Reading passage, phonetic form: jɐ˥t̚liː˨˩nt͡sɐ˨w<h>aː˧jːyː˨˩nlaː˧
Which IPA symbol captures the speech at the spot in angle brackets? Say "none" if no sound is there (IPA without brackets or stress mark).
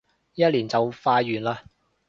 f